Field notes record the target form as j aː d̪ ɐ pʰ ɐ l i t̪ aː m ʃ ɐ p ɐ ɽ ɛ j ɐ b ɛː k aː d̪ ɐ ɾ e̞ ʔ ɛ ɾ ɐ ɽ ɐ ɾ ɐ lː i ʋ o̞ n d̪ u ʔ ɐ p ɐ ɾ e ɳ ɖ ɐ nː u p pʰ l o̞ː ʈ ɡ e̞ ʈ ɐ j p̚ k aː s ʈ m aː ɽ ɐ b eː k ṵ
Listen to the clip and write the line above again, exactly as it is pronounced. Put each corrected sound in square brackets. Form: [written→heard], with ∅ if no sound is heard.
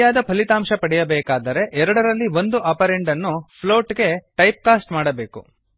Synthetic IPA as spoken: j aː d̪ ɐ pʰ ɐ l i t̪ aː m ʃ ɐ p ɐ ɽ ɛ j ɐ b ɛː k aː d̪ ɐ ɾ e̞ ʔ ɛ ɾ ɐ ɽ ɐ ɾ ɐ lː i ʋ o̞ n d̪ u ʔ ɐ p ɐ ɾ e ɳ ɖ ɐ nː u p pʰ l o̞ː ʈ ɡ e̞ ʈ ɐ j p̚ k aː s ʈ m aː ɽ ɐ b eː k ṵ